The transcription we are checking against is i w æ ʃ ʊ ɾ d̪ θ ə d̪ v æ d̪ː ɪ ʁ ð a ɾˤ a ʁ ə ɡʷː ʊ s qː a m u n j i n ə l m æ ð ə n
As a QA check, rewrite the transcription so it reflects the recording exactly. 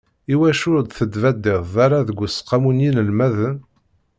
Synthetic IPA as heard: i w æ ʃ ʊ ɾ d̪ θ ə d̪ v æ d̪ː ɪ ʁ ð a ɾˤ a ð ə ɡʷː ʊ s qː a m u n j i n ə l m æ ð ə n